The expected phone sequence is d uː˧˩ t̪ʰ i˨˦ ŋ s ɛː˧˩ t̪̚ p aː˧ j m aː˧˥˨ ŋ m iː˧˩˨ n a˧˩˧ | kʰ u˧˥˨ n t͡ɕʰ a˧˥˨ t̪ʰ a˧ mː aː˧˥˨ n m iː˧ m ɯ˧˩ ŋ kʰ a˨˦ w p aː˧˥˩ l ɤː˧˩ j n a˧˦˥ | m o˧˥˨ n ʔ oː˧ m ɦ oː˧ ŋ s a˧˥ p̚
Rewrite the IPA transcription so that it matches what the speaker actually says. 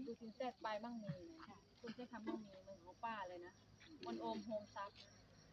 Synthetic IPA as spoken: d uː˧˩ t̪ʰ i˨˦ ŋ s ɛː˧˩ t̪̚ p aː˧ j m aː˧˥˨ ŋ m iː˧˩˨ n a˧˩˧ | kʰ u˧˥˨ n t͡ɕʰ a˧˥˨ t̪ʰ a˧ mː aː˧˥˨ ŋ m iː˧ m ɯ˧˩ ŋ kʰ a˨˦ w p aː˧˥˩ l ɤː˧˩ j n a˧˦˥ | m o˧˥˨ n ʔ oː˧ m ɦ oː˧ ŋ s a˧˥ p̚